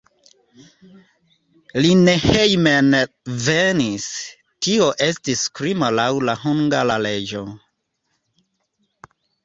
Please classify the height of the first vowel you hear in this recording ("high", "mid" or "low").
high